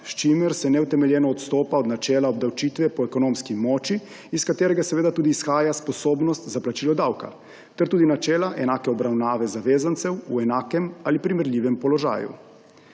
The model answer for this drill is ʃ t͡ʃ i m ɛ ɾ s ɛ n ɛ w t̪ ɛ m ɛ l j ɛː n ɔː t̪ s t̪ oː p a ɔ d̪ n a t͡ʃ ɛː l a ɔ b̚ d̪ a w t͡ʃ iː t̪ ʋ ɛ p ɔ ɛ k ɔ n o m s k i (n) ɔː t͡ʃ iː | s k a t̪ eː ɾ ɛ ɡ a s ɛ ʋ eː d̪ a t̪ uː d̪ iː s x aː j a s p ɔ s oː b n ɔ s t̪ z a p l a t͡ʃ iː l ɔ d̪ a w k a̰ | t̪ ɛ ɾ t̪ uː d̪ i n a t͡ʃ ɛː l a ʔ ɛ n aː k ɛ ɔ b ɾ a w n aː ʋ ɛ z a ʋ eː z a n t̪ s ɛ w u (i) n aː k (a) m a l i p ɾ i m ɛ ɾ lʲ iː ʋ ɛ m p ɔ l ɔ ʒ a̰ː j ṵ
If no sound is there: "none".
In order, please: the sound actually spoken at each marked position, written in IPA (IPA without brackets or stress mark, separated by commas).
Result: m, ɛ, ɛ